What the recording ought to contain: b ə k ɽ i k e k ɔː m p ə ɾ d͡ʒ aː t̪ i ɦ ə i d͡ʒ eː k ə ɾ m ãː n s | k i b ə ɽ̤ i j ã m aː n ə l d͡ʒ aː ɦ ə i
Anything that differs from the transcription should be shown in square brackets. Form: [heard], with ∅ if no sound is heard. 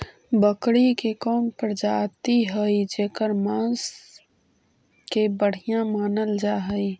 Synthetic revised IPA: b ə k ɽ i k e k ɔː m p ə ɾ d͡ʒ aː t̪ i ɦ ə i d͡ʒ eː k ə ɾ m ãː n s | k [e] b ə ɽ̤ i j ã m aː n ə l d͡ʒ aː ɦ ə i